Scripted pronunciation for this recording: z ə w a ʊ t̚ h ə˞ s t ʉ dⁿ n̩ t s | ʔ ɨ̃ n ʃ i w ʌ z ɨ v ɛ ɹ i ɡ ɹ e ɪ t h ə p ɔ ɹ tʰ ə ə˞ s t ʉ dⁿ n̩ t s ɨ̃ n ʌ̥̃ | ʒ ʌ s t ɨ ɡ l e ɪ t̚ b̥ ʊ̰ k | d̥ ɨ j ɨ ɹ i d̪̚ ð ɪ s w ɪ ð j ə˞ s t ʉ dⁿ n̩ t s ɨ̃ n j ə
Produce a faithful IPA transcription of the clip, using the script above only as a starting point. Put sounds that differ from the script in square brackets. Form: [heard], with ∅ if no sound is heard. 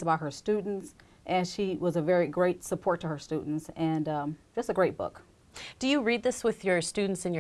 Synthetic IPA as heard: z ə [b] a ʊ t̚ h ə˞ s t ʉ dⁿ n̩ t s | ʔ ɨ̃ n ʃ i w ʌ z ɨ v ɛ ɹ i ɡ ɹ e ɪ t [s] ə [pʰ] ɔ ɹ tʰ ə ə˞ s t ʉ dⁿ n̩ t s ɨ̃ n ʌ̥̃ | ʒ ʌ s t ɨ ɡ [ɹ] e ɪ t̚ b̥ ʊ̰ k | d̥ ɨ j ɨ ɹ i d̪̚ ð ɪ s w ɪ ð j ə˞ s t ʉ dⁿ n̩ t s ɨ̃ n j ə